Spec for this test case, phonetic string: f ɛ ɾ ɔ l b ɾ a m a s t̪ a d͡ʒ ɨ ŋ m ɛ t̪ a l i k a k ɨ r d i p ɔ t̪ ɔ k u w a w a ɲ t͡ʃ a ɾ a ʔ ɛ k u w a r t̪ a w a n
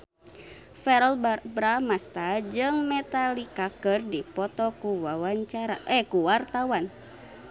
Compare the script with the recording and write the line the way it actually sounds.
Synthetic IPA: f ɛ ɾ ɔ l b ɾ a m a s t̪ a d͡ʒ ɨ ŋ m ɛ t̪ a l i k a k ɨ r d i p ɔ t̪ ɔ k u w a w a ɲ t͡ʃ a ɾ a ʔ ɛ k u w a r t̪ a w a n